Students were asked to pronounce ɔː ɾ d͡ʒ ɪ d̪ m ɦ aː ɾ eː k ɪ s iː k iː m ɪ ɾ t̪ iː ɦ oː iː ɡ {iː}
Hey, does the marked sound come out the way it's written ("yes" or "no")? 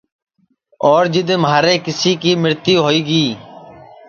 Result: yes